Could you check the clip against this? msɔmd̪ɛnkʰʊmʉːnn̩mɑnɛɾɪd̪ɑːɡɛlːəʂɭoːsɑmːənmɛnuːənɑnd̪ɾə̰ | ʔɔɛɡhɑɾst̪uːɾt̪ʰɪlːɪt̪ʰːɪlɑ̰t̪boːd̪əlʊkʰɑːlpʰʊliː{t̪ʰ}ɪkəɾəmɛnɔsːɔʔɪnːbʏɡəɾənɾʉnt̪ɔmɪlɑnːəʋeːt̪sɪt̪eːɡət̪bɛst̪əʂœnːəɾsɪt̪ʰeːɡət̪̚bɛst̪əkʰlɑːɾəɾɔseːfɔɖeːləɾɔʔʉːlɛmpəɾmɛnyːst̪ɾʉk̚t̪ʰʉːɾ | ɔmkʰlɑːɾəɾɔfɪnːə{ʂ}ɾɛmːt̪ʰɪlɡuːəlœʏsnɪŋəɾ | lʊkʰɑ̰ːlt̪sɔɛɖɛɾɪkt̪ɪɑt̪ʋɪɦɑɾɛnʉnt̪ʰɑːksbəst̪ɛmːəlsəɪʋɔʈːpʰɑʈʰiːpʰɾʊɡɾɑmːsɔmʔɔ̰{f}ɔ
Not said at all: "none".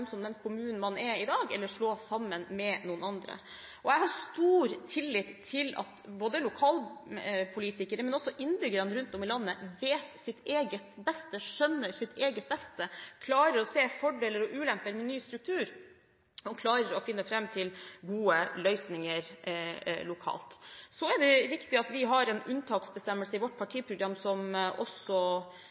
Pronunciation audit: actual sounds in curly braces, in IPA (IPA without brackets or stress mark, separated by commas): t̪, f, s